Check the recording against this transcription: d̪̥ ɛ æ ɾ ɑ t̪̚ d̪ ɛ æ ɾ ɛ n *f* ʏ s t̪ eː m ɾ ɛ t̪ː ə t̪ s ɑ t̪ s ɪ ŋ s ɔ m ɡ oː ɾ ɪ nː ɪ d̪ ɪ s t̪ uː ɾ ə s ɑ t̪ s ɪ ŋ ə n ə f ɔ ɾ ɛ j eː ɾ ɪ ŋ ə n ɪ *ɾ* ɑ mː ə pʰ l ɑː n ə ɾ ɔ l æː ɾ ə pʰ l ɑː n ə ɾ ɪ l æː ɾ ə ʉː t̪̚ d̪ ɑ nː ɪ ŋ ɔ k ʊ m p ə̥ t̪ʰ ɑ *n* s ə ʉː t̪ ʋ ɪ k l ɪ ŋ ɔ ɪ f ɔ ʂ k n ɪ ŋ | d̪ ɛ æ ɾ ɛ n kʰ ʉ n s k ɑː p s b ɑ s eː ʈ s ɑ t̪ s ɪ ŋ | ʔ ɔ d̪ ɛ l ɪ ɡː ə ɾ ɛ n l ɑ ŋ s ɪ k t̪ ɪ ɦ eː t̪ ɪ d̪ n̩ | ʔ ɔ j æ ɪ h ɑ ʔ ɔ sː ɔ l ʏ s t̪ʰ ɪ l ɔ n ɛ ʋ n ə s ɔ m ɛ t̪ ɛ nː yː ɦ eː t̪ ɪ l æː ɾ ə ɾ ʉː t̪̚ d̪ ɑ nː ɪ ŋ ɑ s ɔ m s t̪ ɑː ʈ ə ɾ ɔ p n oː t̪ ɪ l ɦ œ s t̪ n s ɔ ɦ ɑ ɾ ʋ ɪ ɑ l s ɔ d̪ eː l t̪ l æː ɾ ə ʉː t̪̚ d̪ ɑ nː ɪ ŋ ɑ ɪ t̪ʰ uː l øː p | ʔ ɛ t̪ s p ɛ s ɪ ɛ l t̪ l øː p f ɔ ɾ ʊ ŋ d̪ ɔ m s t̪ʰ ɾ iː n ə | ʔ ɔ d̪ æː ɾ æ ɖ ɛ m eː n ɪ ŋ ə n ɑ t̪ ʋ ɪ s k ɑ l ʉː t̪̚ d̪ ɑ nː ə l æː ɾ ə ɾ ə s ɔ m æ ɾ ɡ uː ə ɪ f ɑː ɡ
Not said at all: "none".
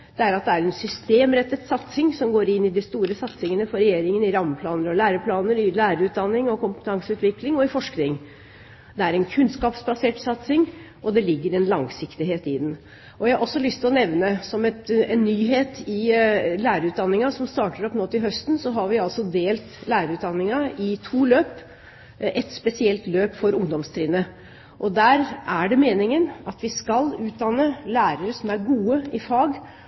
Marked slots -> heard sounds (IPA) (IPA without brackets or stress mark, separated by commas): s, ɾ, ŋ